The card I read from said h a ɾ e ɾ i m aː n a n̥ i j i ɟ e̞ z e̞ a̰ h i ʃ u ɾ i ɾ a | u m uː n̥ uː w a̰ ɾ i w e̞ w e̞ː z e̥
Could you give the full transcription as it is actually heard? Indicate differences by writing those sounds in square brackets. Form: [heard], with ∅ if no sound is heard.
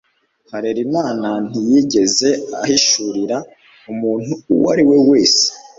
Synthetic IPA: h a ɾ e ɾ i m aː n a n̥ i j i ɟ e̞ z e̞ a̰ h i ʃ u ɾ i ɾ a | u m uː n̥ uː w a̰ ɾ i w e̞ w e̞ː [s] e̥